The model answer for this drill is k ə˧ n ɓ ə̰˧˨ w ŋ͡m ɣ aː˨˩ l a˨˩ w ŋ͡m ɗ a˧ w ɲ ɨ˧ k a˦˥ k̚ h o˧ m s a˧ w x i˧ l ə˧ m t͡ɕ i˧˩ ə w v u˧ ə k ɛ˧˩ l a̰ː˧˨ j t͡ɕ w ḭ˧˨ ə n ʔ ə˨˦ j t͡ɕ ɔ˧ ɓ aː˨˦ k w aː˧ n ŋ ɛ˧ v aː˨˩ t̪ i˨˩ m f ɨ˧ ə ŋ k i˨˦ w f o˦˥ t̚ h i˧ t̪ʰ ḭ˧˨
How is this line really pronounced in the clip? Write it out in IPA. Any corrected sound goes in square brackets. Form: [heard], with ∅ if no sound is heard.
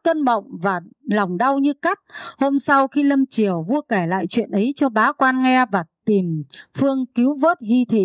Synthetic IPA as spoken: k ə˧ n ɓ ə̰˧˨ w ŋ͡m [v] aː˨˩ l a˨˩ w ŋ͡m ɗ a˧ w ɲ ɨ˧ k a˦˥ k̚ h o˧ m s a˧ w x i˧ l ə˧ m t͡ɕ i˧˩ ə w v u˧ ə k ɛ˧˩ l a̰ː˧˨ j t͡ɕ w ḭ˧˨ ə n ʔ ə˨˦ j t͡ɕ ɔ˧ ɓ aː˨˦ k w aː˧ n ŋ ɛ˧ v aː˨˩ t̪ i˨˩ m f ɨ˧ ə ŋ k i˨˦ w [v] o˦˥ t̚ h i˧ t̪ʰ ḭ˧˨